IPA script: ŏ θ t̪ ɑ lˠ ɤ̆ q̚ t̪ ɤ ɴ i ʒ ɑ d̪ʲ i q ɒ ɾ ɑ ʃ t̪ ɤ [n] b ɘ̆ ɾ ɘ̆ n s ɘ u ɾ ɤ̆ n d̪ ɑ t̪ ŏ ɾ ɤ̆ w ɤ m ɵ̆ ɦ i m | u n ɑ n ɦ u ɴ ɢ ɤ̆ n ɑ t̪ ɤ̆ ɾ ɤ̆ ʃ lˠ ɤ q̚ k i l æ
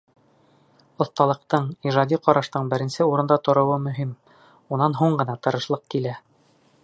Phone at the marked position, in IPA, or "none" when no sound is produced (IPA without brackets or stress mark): ɴ